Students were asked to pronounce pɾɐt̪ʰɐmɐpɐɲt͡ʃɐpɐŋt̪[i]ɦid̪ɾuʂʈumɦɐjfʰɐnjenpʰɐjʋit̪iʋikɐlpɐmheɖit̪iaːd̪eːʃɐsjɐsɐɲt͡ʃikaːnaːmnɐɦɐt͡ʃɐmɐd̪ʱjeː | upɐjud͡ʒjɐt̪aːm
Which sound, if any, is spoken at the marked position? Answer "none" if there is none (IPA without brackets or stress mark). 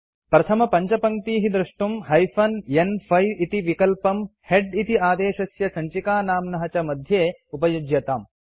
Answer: iː